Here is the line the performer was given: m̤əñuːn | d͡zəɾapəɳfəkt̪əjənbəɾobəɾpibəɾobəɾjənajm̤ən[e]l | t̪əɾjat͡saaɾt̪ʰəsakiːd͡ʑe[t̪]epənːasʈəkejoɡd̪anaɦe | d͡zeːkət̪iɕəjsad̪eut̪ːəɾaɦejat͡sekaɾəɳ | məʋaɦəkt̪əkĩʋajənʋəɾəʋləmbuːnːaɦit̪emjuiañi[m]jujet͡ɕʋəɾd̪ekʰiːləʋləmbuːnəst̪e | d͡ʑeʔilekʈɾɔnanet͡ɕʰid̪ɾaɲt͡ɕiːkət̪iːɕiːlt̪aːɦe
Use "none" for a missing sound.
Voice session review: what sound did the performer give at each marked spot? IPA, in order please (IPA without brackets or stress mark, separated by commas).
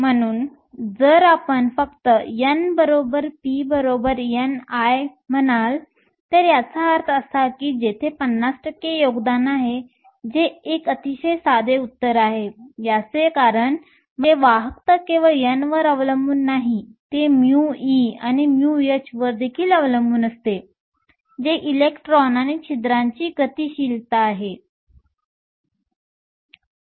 a, t̪ʰ, m